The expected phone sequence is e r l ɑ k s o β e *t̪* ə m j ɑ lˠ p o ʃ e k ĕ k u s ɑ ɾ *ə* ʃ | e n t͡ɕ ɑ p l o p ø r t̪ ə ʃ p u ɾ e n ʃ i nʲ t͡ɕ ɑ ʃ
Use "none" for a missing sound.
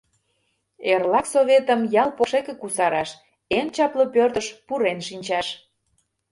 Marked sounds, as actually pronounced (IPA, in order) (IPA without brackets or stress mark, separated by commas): t̪, ɑ